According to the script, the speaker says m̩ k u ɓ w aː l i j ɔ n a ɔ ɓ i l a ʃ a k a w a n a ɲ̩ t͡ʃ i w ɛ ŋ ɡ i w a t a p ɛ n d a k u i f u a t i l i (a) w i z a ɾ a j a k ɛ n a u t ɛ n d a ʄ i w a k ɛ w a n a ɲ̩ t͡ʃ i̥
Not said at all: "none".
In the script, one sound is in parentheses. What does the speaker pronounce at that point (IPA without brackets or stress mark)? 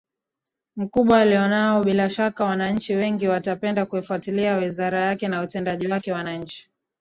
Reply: a